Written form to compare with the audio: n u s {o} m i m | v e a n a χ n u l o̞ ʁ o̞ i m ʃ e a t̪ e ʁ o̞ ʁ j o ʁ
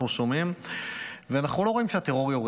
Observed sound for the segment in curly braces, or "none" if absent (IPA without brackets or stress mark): o